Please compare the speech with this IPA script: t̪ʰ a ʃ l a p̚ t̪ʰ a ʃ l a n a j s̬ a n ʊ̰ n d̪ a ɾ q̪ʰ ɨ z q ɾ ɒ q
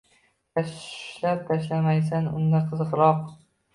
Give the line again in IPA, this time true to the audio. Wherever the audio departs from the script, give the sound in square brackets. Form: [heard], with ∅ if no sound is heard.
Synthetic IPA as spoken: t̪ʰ a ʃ l a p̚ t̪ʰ a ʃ l a [m] a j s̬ a n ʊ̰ n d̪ a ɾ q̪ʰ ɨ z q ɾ ɒ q